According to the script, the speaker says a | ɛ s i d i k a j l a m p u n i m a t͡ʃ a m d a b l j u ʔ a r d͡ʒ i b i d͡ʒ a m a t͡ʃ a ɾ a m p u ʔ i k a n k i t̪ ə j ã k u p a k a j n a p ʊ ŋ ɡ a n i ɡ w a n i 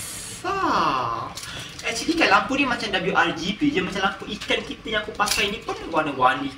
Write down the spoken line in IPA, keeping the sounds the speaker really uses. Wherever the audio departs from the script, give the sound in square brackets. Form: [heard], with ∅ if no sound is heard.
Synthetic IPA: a | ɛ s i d i k a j l a m p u n i m a t͡ʃ a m d a b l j u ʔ a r d͡ʒ i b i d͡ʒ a m a t͡ʃ a [l] a m p u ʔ i k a n k i t̪ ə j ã k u p a k a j n [i] p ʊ [n] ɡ a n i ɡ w a n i